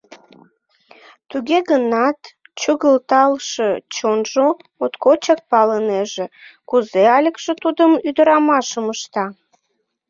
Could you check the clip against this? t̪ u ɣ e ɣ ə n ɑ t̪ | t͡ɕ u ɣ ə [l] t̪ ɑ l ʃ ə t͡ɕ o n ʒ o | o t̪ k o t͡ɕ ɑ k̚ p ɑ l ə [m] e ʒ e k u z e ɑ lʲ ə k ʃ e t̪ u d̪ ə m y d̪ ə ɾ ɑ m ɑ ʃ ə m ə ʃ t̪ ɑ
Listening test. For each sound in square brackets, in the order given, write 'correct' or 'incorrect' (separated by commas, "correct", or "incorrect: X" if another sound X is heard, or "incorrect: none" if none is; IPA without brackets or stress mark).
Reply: correct, incorrect: n